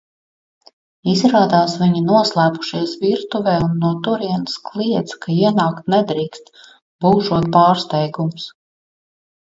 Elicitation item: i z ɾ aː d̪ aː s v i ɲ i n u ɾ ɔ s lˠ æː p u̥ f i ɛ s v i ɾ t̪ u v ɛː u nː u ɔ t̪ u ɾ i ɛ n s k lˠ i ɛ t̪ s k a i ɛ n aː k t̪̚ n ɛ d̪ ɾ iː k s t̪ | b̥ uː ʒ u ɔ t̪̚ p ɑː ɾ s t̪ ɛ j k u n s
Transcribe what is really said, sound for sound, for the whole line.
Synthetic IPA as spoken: i z ɾ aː d̪ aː s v i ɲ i n u ɔ s lˠ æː p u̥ ʃ i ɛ s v i ɾ t̪ u v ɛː u nː u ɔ t̪ u ɾ i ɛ n s k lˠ i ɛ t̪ s k a i ɛ n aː k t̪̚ n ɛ d̪ ɾ iː k s t̪ | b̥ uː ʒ u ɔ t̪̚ p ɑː ɾ s t̪ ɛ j ɡ u m s